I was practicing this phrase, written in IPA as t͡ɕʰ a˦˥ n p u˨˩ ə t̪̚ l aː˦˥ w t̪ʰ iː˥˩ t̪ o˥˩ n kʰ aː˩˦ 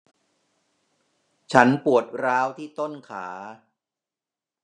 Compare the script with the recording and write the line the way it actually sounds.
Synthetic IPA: t͡ɕʰ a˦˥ n p u˨˩ ə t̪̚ ɾ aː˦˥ w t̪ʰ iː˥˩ t̪ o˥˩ n kʰ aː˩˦